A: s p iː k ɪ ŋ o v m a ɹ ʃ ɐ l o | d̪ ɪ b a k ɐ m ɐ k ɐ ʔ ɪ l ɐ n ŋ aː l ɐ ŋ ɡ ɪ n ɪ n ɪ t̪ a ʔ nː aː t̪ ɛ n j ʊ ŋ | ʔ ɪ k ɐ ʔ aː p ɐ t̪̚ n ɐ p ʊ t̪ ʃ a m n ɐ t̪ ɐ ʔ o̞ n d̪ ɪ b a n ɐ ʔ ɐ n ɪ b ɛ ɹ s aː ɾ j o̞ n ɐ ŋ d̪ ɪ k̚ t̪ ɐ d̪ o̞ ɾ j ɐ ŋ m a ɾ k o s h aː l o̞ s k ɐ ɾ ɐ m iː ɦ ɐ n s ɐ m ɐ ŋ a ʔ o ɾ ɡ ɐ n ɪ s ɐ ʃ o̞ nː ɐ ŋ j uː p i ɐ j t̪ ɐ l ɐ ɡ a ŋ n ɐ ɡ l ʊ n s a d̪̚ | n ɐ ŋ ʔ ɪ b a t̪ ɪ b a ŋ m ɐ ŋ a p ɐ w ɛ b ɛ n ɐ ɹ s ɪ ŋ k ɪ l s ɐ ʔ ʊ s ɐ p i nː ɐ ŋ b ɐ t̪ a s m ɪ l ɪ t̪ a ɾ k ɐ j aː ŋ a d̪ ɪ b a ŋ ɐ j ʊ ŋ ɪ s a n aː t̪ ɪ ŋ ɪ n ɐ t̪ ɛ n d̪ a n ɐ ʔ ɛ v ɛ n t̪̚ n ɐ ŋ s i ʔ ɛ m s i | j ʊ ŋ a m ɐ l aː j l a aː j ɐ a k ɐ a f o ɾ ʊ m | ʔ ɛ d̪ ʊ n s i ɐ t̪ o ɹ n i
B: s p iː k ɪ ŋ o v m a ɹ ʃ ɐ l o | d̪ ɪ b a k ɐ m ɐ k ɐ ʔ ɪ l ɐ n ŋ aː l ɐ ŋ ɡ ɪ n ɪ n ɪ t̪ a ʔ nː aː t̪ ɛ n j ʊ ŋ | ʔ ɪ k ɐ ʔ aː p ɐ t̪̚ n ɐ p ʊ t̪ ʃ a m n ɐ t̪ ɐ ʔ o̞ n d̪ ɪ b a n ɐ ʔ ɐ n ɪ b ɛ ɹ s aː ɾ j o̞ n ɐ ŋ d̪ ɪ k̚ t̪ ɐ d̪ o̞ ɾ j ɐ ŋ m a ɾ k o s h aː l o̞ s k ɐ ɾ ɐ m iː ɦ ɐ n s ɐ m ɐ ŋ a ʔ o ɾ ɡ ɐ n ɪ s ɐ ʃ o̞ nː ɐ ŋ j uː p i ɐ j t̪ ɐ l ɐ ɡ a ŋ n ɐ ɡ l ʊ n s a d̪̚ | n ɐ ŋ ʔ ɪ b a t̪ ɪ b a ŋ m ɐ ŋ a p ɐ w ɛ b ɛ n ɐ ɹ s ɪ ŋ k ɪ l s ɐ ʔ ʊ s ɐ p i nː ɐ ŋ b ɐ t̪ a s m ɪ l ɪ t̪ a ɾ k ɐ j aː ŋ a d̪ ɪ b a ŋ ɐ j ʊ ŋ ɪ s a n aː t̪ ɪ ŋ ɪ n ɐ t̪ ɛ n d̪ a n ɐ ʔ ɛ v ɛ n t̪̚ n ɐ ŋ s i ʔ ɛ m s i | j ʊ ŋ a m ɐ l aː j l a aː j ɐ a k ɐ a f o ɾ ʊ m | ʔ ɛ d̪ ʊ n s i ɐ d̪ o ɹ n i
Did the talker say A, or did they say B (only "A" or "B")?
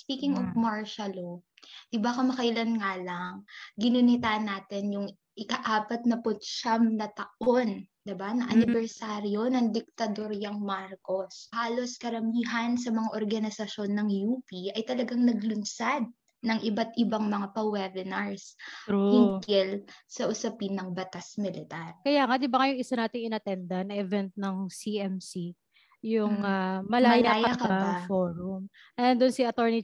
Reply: A